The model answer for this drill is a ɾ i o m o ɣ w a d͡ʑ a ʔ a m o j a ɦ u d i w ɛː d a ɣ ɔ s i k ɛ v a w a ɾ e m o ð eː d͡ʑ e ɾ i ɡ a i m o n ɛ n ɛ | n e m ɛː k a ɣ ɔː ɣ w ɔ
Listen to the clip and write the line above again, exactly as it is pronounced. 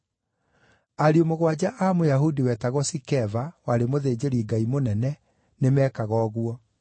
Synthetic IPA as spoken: a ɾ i o m o ɣ w a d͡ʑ a ʔ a m o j a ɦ u d i w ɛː t a ɣ ɔ s i k ɛ v a w a ɾ e m o ð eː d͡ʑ e ɾ i ɡ a i m o n ɛ n ɛ | n e m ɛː k a ɣ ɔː ɣ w ɔ